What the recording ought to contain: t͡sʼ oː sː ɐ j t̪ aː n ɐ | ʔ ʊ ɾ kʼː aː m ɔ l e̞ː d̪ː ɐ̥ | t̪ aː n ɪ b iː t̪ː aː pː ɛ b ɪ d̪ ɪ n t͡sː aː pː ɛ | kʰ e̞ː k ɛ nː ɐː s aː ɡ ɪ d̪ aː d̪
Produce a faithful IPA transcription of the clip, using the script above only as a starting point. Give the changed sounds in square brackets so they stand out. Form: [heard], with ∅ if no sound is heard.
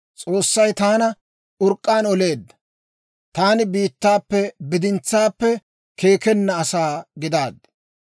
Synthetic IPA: t͡sʼ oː sː ɐ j t̪ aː n ɐ | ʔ ʊ ɾ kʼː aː [n] ɔ l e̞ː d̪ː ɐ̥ | t̪ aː n ɪ b iː t̪ː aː pː ɛ b ɪ d̪ ɪ n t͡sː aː pː ɛ | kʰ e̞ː k ɛ nː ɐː s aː ɡ ɪ d̪ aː d̪